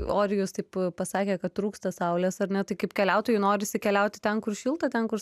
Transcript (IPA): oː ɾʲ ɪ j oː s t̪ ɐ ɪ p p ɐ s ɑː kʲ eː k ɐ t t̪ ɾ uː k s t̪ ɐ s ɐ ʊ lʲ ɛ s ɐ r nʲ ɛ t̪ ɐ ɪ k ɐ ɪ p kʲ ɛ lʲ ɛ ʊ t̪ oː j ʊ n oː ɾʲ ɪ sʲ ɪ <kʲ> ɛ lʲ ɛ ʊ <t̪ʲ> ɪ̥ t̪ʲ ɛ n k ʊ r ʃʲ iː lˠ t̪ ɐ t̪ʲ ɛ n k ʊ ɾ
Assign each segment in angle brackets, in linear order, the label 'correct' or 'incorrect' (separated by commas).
correct, correct